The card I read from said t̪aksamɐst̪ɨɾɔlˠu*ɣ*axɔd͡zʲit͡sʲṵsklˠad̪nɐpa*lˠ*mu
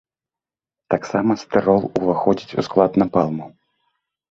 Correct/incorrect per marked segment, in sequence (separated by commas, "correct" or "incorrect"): incorrect, correct